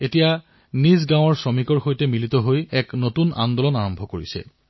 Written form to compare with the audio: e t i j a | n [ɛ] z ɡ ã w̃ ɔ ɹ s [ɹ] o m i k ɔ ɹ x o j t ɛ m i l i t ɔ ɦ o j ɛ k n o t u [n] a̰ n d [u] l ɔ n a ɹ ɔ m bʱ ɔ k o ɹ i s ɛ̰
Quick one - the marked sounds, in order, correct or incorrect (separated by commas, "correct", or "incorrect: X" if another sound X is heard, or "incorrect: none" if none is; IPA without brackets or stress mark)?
incorrect: i, correct, correct, incorrect: ɔ